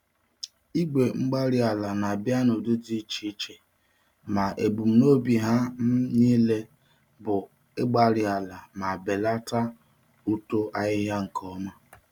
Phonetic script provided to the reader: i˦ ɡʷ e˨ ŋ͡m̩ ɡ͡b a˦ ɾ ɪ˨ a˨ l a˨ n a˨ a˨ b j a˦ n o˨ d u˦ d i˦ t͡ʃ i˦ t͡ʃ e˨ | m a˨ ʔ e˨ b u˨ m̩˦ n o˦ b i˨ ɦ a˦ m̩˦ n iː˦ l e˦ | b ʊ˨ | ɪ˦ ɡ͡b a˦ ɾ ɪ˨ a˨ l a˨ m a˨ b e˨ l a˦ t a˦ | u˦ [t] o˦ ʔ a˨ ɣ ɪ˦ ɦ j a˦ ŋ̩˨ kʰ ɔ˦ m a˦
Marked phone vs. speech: correct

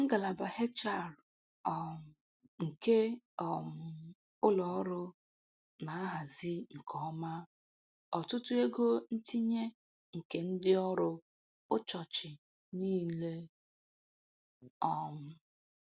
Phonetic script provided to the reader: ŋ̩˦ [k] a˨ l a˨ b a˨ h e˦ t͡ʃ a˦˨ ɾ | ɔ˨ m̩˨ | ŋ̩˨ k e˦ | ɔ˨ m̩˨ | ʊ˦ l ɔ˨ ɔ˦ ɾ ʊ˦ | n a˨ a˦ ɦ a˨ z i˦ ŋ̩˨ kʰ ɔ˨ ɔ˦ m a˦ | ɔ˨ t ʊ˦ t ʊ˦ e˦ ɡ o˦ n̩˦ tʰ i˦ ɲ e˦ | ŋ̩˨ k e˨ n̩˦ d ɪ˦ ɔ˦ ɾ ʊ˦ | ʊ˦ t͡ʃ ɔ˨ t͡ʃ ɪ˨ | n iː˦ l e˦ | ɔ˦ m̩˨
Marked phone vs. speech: incorrect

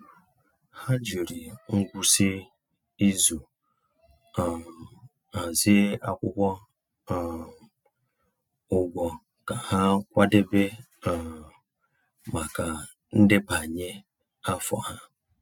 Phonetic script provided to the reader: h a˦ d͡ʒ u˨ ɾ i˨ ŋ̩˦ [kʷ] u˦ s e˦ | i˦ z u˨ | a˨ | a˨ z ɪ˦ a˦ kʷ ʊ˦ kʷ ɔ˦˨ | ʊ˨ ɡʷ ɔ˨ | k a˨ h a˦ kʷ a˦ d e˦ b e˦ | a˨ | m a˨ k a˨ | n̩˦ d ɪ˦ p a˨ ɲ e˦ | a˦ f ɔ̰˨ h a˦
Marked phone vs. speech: incorrect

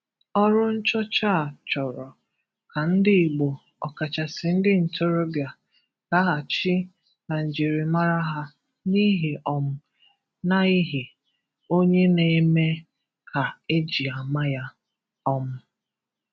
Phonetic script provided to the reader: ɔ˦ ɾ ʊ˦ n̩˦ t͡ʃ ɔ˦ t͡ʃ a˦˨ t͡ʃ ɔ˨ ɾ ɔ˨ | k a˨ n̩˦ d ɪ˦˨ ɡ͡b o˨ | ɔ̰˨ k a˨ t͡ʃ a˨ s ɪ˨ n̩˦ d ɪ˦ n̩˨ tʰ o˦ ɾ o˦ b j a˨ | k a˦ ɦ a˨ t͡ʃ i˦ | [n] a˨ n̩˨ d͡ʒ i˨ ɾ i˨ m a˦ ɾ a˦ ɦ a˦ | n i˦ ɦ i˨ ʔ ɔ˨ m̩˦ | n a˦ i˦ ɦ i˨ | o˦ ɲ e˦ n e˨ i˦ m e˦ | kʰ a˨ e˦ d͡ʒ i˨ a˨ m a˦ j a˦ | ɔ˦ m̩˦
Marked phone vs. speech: correct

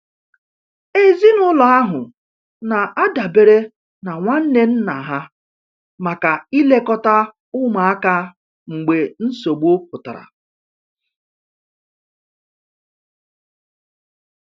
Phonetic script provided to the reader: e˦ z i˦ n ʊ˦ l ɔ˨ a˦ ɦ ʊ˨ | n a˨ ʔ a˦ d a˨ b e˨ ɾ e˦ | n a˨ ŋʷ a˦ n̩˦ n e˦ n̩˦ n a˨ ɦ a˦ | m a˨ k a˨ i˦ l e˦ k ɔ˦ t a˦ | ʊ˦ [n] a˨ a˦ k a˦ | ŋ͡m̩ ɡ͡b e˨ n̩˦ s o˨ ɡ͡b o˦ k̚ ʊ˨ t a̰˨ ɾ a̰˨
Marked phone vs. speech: incorrect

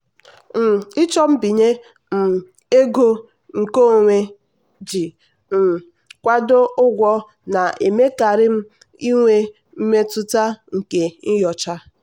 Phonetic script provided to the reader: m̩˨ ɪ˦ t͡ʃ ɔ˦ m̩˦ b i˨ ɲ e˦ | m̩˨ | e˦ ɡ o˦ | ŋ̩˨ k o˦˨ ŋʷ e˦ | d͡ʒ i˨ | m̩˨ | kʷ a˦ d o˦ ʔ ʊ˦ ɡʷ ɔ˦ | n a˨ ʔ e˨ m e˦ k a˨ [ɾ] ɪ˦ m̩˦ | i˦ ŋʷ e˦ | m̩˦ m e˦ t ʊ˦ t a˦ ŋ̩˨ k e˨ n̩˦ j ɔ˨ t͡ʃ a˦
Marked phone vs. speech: correct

